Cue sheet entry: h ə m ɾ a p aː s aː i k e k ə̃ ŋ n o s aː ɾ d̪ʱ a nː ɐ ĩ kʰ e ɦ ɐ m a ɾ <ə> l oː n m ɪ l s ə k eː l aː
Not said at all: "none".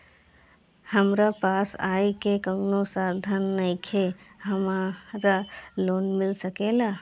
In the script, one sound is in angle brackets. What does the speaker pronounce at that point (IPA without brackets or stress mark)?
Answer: a